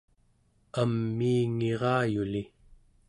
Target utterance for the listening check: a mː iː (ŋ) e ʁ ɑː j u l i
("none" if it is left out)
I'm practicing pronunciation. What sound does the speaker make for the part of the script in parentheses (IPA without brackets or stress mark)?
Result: ŋ